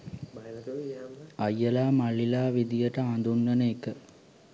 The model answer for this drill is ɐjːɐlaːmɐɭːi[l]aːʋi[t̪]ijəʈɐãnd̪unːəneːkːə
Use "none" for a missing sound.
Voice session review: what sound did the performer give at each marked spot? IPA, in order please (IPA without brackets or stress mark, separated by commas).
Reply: l, d̪